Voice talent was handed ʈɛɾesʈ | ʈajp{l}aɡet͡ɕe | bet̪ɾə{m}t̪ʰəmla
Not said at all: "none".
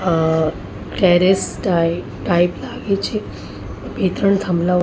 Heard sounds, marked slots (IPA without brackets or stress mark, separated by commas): l, ɳ